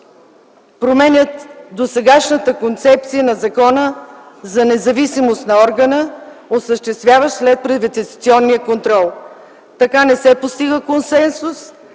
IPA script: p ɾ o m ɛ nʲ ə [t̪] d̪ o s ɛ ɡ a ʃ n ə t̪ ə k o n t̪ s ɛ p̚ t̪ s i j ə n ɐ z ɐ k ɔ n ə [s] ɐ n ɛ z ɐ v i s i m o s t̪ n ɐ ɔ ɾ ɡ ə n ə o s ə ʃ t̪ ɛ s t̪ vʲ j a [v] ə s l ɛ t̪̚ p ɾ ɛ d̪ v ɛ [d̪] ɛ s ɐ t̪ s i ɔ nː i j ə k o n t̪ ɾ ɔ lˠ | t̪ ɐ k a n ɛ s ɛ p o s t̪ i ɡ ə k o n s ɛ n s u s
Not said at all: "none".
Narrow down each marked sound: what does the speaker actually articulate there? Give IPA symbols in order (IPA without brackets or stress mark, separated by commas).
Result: t̪, z, v, t̪